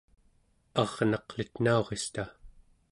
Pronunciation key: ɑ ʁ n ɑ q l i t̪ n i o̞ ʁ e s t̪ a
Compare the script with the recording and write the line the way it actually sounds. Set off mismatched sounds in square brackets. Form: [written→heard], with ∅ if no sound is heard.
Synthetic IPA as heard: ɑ ʁ n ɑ q l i t̪ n [i→a] o̞ ʁ e s t̪ a

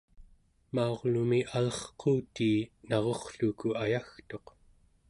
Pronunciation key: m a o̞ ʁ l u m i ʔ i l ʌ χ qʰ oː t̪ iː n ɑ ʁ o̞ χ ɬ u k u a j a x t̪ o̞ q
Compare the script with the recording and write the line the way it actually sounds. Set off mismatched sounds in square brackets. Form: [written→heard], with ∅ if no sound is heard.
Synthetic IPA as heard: m a o̞ ʁ l u m i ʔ [i→a] l ʌ χ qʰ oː t̪ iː n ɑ ʁ o̞ χ ɬ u k u a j a x t̪ o̞ q

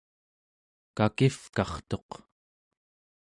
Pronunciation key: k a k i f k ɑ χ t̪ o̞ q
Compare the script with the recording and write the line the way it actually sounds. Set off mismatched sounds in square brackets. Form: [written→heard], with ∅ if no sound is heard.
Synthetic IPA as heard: k a k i f k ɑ χ t̪ o̞ q

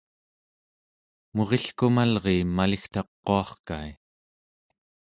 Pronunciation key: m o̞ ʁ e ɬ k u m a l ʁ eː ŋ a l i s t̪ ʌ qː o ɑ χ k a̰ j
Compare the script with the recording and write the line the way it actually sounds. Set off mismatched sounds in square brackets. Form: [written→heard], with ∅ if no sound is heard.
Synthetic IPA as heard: m o̞ ʁ e ɬ k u m a l ʁ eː [ŋ→m] a l i [s→x] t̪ [ʌ→ɑ] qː o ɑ χ k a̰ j

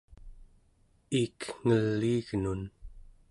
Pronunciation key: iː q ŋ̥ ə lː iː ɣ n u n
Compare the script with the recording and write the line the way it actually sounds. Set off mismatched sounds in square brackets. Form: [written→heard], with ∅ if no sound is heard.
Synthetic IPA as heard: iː [q→k] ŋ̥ ə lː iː ɣ n u n

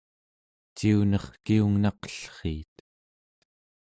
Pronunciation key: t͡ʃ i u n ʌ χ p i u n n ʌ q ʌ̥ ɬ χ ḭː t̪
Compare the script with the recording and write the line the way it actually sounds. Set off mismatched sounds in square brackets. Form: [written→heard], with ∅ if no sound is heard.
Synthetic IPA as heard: t͡ʃ i u n ʌ χ [p→k] i u [n→ŋ] n [ʌ→ɑ] q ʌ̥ ɬ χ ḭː t̪

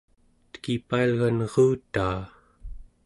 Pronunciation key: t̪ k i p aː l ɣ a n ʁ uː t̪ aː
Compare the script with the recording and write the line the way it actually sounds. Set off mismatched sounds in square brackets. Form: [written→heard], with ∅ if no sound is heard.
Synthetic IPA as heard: t̪ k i p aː l ɣ a n ʁ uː t̪ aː

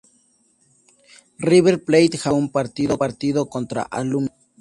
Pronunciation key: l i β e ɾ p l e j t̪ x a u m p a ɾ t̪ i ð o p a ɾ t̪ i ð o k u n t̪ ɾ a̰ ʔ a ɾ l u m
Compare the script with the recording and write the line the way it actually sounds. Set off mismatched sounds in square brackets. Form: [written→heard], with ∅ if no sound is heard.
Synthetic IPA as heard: [l→r] i β e ɾ p l e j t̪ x a u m p a ɾ t̪ i ð o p a ɾ t̪ i ð o k [u→o] n t̪ ɾ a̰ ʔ a [ɾ→∅] l u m

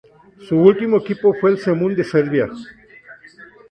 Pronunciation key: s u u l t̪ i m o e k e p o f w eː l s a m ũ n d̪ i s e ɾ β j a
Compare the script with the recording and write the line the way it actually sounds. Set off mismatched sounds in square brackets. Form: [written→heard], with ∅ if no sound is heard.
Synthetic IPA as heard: s u u l t̪ i m o e k [e→i] p o f w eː l s [a→e] m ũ n d̪ [i→e] s e ɾ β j a

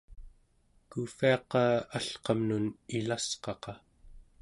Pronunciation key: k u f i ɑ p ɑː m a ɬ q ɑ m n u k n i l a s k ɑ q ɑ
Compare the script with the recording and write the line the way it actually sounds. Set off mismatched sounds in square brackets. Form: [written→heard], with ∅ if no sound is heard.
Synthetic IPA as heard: k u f i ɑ [p→q] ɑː [m→∅] a ɬ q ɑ m n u [k→∅] n i l a s [k→q] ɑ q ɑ

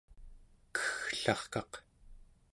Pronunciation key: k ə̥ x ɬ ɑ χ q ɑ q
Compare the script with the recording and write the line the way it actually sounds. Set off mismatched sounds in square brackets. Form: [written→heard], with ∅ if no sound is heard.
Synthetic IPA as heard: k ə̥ x ɬ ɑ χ [q→k] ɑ q

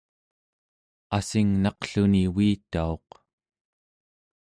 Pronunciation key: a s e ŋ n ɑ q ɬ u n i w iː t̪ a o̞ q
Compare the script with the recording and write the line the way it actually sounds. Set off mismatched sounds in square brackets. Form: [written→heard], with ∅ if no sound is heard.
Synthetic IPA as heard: a s [e→i] ŋ n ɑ q ɬ u n i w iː t̪ a o̞ q

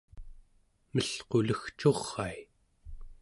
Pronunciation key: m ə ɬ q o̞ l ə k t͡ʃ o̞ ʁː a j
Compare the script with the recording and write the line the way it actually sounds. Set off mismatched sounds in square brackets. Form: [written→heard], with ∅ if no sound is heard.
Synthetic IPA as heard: m ə ɬ q o̞ l ə [k→x] t͡ʃ o̞ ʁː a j

